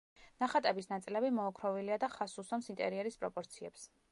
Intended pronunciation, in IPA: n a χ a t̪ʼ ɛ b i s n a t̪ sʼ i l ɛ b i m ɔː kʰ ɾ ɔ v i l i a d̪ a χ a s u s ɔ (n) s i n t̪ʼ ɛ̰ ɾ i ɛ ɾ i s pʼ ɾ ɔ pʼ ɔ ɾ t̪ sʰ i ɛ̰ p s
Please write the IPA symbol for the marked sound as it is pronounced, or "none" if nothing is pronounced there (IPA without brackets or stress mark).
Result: m